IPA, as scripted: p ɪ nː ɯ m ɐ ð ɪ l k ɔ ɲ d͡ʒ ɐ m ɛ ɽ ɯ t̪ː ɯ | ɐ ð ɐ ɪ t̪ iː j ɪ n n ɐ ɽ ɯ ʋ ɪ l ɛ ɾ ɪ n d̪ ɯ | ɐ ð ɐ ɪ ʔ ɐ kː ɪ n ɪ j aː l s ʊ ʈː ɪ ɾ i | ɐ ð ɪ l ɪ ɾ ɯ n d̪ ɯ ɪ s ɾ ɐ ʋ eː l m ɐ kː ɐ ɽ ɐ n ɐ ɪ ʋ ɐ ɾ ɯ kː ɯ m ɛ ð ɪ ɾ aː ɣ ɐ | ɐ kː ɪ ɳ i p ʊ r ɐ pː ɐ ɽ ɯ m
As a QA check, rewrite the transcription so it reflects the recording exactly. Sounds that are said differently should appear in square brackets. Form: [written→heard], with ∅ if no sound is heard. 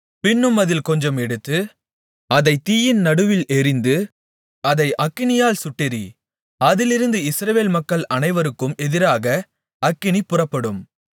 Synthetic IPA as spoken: p ɪ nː ɯ m ɐ ð ɪ l k ɔ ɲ d͡ʒ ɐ m ɛ ɽ ɯ t̪ː ɯ | ɐ ð ɐ ɪ t̪ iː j ɪ n n ɐ ɽ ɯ ʋ ɪ l ɛ ɾ ɪ n d̪ ɯ | ɐ ð ɐ ɪ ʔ ɐ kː ɪ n ɪ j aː l s ʊ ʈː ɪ ɾ i | ɐ ð ɪ l ɪ ɾ ɯ n d̪ ɯ ɪ s ɾ ɐ ʋ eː l m ɐ kː ɐ [ɽ→ɭ] ɐ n ɐ ɪ ʋ ɐ ɾ ɯ kː ɯ m ɛ ð ɪ ɾ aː ɣ ɐ | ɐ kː ɪ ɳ i p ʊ r ɐ pː ɐ ɽ ɯ m

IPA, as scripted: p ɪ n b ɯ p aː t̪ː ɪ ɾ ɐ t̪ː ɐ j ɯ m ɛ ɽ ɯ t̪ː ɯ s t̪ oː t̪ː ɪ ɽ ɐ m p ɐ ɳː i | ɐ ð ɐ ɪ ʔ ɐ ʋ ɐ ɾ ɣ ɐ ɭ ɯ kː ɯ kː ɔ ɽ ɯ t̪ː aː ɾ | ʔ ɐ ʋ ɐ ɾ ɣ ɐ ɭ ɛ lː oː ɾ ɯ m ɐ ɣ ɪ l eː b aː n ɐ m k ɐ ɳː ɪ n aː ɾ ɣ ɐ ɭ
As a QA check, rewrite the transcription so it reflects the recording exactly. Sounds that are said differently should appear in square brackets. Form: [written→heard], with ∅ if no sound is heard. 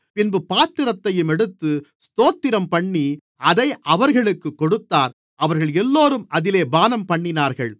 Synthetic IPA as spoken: p ɪ n b ɯ p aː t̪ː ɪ ɾ ɐ t̪ː ɐ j ɯ m ɛ ɽ ɯ t̪ː ɯ s t̪ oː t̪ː ɪ [ɽ→ɾ] ɐ m p ɐ ɳː i | ɐ ð ɐ ɪ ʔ ɐ ʋ ɐ ɾ ɣ ɐ ɭ ɯ kː ɯ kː ɔ ɽ ɯ t̪ː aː ɾ | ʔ ɐ ʋ ɐ ɾ ɣ ɐ ɭ ɛ lː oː ɾ ɯ m ɐ [ɣ→ð] ɪ l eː b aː n ɐ m [k→p] ɐ ɳː ɪ n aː ɾ ɣ ɐ ɭ

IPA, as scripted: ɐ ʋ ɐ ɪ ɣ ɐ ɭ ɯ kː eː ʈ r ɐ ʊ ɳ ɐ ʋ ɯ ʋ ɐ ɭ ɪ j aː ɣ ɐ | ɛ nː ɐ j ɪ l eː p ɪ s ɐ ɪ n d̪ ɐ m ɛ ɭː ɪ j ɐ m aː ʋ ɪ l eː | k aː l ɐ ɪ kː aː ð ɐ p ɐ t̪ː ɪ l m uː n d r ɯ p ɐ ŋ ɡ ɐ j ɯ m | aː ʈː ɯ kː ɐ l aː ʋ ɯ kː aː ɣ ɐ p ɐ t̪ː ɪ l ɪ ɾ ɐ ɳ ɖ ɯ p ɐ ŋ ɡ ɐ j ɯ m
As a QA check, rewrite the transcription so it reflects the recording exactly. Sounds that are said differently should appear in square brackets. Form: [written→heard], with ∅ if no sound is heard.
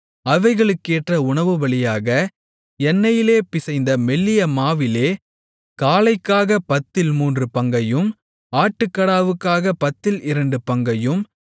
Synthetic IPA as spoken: ɐ ʋ ɐ ɪ ɣ ɐ ɭ ɯ kː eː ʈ r ɐ ʊ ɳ ɐ ʋ ɯ ʋ ɐ ɭ ɪ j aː ɣ ɐ | ɛ nː ɐ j ɪ l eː p ɪ s ɐ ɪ n d̪ ɐ m ɛ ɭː ɪ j ɐ m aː ʋ ɪ l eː | k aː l ɐ ɪ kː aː [ð→ɣ] ɐ p ɐ t̪ː ɪ l m uː n d r ɯ p ɐ ŋ ɡ ɐ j ɯ m | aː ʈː ɯ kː ɐ [l→ɽ] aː ʋ ɯ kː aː ɣ ɐ p ɐ t̪ː ɪ l ɪ ɾ ɐ ɳ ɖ ɯ p ɐ ŋ ɡ ɐ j ɯ m

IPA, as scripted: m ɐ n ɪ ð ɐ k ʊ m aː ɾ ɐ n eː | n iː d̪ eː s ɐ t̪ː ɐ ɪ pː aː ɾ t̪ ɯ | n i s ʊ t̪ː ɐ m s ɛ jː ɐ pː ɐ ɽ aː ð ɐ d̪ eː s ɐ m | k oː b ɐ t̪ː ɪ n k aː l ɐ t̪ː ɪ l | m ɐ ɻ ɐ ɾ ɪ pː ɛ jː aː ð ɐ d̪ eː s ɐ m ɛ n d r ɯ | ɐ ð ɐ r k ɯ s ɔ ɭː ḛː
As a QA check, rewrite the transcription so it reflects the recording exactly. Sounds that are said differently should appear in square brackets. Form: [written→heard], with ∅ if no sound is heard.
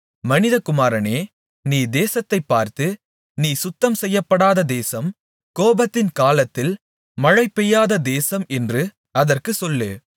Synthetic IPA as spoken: m ɐ n ɪ ð ɐ k ʊ m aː ɾ ɐ n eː | n iː d̪ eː s ɐ t̪ː ɐ ɪ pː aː ɾ t̪ ɯ | n [i→iː] s ʊ t̪ː ɐ m s ɛ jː ɐ pː ɐ ɽ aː ð ɐ d̪ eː s ɐ m | k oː b ɐ t̪ː ɪ n k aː l ɐ t̪ː ɪ l | m ɐ ɻ ɐ [ɾ→∅] ɪ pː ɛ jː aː ð ɐ d̪ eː s ɐ m ɛ n d r ɯ | ɐ ð ɐ r k ɯ s ɔ [ɭː→lː] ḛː

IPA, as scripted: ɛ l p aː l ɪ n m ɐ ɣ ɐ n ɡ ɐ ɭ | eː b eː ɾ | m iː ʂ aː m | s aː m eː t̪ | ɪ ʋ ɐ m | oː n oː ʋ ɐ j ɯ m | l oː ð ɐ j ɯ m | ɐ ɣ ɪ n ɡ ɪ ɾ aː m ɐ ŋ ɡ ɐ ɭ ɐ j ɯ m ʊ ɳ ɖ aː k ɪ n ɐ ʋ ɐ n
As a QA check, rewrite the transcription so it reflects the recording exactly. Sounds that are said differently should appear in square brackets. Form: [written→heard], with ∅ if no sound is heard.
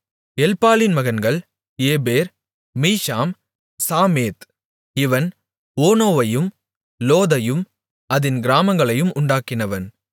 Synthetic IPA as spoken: ɛ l p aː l ɪ n m ɐ ɣ ɐ n ɡ ɐ ɭ | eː b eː ɾ | m iː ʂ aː m | s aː m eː t̪ | ɪ ʋ ɐ [m→n] | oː n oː ʋ ɐ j ɯ m | l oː ð ɐ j ɯ m | ɐ [ɣ→ð] ɪ n ɡ ɪ ɾ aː m ɐ ŋ ɡ ɐ ɭ ɐ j ɯ m ʊ ɳ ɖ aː k ɪ n ɐ ʋ ɐ n

